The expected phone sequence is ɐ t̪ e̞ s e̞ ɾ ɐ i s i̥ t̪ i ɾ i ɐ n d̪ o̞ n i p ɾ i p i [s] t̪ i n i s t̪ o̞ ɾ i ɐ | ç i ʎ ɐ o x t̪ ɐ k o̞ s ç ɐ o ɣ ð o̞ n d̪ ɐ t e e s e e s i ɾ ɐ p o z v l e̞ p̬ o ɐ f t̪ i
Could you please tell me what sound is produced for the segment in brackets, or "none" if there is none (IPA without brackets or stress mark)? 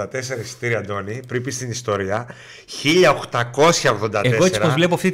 s